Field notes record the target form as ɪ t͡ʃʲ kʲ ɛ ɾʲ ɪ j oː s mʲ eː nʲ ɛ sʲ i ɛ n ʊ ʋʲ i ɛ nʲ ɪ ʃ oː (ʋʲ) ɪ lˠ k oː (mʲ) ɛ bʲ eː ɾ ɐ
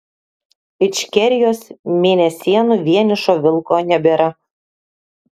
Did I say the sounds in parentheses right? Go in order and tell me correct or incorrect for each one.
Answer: correct, incorrect: nʲ

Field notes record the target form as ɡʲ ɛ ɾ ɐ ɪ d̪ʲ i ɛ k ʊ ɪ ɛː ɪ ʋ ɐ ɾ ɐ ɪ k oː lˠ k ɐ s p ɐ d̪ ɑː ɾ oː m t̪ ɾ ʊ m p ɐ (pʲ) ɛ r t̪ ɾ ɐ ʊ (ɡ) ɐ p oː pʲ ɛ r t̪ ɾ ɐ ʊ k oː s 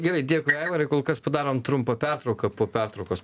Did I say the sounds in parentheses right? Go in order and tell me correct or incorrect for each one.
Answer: correct, incorrect: k

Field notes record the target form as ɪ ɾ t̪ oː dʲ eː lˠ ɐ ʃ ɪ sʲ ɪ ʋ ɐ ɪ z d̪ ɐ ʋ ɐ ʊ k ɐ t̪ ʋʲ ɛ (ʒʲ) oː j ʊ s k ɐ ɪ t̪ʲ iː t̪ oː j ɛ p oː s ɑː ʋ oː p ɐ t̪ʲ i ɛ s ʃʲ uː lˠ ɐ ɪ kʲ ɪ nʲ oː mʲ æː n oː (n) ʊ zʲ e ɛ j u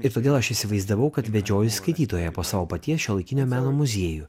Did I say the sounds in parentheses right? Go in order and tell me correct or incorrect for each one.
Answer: incorrect: d͡ʒʲ, incorrect: m

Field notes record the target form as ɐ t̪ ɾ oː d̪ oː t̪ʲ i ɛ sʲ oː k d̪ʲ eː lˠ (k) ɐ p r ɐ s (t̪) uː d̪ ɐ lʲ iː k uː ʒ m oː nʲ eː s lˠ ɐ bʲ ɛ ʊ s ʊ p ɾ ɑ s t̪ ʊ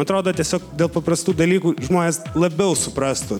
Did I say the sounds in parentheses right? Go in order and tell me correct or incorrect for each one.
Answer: incorrect: p, correct

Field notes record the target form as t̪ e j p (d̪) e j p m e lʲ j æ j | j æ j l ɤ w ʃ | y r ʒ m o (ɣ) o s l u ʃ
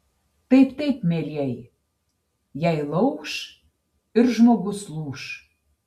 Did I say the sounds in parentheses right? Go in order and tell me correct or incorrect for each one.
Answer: incorrect: t̪, correct

